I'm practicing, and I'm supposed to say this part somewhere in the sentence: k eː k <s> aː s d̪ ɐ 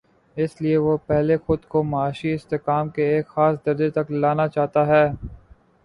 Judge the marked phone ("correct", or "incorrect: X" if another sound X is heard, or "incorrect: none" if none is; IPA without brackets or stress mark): incorrect: x